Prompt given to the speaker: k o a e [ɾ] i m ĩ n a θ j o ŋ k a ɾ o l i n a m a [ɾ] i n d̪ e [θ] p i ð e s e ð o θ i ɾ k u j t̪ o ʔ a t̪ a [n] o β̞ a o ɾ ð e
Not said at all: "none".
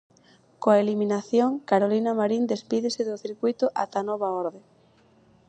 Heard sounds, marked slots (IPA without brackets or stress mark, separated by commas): l, ɾ, s, n